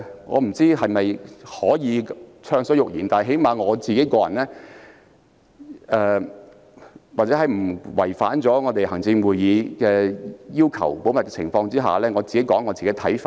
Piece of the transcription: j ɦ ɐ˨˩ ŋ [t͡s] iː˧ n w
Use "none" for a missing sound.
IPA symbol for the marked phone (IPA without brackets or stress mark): t͡s